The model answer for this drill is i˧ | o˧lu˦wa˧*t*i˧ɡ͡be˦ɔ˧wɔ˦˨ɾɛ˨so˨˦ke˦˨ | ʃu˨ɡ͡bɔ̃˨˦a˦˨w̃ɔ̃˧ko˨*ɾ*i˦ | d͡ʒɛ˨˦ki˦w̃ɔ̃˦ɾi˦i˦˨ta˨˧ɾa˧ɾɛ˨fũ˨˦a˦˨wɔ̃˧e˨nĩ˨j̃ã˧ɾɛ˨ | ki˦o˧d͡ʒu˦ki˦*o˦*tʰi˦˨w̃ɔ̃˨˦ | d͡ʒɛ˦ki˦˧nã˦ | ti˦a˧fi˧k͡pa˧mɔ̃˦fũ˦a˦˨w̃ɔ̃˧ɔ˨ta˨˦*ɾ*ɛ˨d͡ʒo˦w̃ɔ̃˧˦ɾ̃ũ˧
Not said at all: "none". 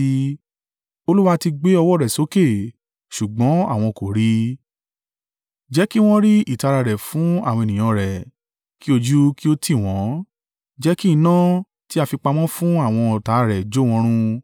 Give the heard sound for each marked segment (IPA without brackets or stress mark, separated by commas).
t, ɾ, o˦, ɾ